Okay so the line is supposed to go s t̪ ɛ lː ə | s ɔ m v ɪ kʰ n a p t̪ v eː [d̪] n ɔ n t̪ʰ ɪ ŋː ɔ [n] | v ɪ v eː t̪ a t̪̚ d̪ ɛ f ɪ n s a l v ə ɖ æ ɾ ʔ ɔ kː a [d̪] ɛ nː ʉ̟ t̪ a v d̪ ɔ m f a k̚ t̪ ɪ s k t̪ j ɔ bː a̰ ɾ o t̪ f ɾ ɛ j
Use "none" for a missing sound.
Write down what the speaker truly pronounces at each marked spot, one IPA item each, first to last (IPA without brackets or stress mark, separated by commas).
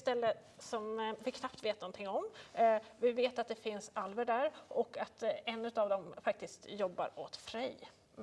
t̪, m, t̪